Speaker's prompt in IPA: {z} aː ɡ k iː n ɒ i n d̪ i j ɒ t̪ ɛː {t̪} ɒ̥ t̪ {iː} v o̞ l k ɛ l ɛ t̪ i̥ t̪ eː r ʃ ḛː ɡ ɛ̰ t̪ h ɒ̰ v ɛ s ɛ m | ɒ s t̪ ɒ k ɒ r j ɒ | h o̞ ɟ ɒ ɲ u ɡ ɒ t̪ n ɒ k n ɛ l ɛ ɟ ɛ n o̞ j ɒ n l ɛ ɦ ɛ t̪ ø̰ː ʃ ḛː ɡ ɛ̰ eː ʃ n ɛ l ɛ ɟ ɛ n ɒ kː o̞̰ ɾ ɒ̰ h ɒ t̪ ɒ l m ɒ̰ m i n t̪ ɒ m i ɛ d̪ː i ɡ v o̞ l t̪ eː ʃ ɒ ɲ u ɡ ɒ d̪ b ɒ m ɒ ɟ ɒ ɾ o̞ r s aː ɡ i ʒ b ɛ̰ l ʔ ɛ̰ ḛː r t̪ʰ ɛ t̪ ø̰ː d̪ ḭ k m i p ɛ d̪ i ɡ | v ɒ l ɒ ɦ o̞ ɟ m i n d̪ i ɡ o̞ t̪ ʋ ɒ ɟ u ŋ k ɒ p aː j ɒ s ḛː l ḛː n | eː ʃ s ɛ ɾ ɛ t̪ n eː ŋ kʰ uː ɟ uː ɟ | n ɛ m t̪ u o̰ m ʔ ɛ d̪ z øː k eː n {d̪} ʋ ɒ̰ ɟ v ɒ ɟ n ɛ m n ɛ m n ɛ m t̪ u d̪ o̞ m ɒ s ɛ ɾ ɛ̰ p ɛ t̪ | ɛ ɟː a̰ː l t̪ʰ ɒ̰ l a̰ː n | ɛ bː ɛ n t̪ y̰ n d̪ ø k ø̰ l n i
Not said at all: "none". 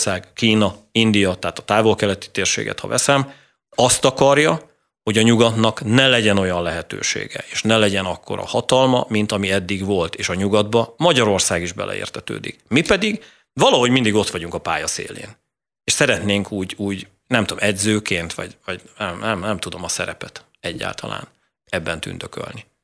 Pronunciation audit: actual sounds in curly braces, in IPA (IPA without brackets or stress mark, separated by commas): s, t̪, aː, t̪